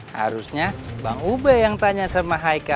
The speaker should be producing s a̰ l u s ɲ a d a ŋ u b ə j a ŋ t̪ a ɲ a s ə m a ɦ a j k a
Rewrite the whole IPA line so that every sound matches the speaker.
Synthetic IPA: h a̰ ɾ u s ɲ a b a ŋ u b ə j a ŋ t̪ a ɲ a s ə m a ɦ a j k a